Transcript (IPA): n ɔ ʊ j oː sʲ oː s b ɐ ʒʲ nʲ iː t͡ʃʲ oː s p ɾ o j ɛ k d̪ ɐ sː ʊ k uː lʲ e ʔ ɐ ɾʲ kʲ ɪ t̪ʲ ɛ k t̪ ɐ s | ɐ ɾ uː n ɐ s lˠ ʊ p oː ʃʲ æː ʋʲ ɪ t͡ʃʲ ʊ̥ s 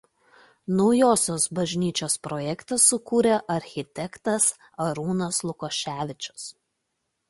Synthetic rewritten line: n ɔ ʊ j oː sʲ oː s b ɐ ʒʲ nʲ iː t͡ʃʲ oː s p ɾ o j ɛ k t̪ ɐ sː ʊ k uː ɾʲ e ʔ ɐ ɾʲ xʲ ɪ t̪ʲ ɛ k t̪ ɐ s | ɐ ɾ uː n ɐ s lˠ ʊ k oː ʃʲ æː ʋʲ ɪ t͡ʃʲ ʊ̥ s